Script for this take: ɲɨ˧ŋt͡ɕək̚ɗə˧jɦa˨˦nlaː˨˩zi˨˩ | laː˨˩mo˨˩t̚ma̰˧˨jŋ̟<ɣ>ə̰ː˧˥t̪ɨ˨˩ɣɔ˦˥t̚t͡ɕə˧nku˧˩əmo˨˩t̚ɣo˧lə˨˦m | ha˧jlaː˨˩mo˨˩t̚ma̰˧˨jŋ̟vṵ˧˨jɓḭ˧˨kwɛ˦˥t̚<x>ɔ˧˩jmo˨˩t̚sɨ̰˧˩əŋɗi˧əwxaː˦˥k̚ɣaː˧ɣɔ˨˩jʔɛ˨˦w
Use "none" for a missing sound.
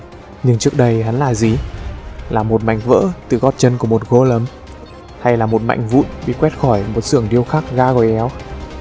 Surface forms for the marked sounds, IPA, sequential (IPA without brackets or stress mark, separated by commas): v, x